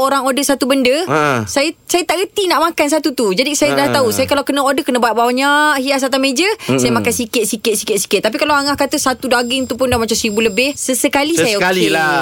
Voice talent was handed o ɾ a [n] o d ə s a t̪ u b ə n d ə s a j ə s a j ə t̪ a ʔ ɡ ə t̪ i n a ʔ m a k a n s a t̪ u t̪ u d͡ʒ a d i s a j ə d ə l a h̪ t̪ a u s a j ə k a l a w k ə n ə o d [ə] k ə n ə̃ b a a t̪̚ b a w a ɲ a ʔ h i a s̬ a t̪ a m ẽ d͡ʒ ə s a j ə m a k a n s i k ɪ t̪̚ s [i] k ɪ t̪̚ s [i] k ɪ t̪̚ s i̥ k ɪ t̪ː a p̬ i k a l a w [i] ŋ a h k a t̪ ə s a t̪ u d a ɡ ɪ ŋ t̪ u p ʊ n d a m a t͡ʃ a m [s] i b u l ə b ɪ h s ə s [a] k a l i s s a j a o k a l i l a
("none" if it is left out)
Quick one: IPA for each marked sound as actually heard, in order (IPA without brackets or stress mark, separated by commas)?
ŋ, ə, i, i, a, s, ə